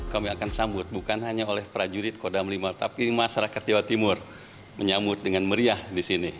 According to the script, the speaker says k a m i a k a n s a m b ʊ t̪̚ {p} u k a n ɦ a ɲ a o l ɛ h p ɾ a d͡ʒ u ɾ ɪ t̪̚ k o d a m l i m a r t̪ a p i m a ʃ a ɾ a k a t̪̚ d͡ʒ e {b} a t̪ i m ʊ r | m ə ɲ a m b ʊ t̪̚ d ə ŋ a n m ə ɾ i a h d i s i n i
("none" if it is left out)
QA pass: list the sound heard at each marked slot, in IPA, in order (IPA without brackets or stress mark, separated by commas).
b, w